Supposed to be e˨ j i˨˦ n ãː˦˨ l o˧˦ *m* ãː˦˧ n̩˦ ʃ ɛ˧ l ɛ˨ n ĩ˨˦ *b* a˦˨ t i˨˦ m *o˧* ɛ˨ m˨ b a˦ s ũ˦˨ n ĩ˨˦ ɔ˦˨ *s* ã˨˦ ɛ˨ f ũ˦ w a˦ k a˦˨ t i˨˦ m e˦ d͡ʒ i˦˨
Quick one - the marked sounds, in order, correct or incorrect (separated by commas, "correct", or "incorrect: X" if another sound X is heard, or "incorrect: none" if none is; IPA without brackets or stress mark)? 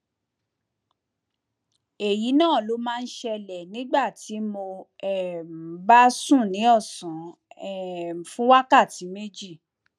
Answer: correct, incorrect: ɡ͡b, correct, correct